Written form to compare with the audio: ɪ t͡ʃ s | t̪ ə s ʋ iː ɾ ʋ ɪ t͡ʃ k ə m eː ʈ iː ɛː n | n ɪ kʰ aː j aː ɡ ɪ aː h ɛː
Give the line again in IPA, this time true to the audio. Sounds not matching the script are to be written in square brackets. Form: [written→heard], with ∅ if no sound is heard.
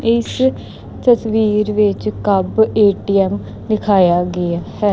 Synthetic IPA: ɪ [t͡ʃ→∅] s | t̪ ə s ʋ iː ɾ ʋ ɪ t͡ʃ k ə [m→b] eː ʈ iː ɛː [n→m] | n ɪ kʰ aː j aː ɡ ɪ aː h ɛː